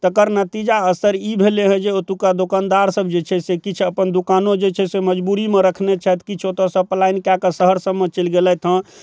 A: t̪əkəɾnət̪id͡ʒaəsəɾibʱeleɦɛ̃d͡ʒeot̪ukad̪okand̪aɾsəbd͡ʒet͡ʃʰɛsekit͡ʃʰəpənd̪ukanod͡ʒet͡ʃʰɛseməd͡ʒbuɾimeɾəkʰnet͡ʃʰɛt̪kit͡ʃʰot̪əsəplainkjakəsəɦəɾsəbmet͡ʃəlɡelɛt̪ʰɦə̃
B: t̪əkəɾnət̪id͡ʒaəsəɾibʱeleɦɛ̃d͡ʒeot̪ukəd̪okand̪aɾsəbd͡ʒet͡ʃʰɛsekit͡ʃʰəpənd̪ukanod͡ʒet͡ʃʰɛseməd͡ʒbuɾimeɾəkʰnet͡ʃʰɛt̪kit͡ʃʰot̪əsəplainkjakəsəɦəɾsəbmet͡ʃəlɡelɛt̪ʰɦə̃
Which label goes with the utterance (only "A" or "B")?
A